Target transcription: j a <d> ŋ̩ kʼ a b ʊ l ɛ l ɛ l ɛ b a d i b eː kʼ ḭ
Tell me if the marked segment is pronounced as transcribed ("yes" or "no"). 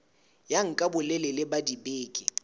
no